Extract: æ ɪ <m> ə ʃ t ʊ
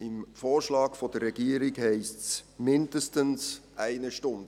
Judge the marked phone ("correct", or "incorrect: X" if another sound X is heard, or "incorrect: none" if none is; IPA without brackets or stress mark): incorrect: n